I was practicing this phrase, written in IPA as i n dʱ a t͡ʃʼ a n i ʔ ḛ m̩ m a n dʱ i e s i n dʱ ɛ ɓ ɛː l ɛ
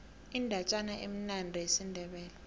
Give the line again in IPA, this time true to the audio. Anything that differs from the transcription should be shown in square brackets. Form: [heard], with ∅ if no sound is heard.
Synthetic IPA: i n dʱ a t͡ʃʼ a n [a] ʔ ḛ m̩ [n] a n dʱ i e s i n dʱ ɛ ɓ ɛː l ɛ